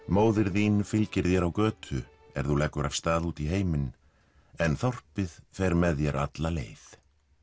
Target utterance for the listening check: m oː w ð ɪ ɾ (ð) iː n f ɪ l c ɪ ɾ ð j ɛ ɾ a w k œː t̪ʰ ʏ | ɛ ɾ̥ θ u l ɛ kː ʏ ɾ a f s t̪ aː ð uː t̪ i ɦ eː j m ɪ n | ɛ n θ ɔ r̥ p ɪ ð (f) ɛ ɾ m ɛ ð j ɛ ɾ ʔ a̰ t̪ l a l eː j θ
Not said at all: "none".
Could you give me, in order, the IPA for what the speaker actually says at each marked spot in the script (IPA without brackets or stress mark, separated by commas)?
ð, f